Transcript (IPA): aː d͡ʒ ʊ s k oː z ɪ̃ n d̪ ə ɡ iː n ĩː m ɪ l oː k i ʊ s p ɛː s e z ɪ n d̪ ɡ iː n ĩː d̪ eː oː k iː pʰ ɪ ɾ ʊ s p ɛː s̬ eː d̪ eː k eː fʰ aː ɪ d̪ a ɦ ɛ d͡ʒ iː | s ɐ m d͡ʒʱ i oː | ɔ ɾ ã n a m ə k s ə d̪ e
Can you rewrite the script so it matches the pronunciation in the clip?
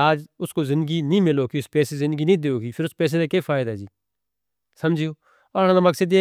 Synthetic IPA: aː d͡ʒ ʊ s k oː z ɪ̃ n d̪ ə ɡ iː n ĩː m ɪ l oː k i ʊ s p ɛː s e z ɪ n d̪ ɡ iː n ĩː d̪ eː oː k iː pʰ ɪ ɾ ʊ s p ɛː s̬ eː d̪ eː k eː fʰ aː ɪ d̪ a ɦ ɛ d͡ʒ iː | s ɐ m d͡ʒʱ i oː | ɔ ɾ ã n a m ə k s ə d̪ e